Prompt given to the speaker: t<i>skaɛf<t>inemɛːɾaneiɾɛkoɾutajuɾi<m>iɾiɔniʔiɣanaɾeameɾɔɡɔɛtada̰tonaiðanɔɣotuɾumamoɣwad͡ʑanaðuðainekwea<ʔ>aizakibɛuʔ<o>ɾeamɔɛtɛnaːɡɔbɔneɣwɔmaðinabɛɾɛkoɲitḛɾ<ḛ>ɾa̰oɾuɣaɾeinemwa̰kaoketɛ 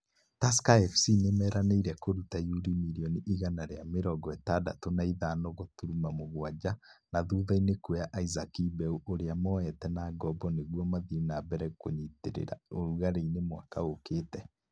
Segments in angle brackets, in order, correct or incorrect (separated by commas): incorrect, incorrect, correct, correct, correct, correct